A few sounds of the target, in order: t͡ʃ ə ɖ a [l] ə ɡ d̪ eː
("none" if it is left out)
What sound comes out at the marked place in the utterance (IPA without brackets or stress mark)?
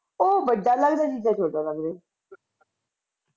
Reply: l